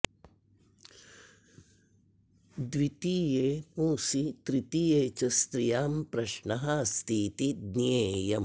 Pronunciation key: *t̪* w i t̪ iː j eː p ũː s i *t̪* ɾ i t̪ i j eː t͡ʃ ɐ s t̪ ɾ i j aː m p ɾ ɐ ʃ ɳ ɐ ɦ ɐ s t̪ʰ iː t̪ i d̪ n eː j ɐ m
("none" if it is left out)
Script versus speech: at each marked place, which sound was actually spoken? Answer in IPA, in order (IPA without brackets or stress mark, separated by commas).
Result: d̪, t̪